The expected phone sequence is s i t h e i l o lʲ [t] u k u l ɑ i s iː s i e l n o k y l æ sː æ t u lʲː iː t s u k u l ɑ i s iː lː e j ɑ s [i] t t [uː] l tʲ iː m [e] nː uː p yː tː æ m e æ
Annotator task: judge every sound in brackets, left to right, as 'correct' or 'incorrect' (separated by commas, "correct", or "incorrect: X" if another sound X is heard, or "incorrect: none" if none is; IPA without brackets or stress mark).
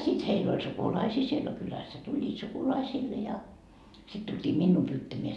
incorrect: s, correct, incorrect: u, incorrect: i